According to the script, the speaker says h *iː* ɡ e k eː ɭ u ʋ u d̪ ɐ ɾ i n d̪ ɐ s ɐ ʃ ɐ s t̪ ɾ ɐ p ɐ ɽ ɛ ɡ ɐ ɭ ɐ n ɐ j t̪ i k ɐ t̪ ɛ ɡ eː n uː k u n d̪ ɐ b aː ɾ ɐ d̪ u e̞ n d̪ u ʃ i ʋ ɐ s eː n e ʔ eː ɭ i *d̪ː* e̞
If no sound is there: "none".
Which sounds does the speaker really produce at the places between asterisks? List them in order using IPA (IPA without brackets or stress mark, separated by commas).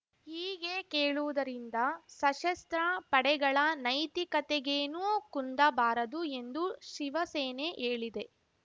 iː, d̪